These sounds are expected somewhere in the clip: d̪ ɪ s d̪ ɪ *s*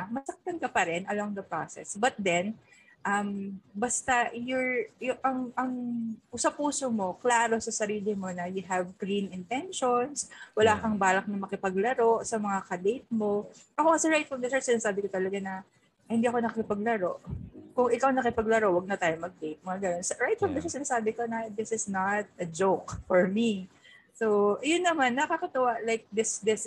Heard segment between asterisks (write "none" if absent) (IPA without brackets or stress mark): s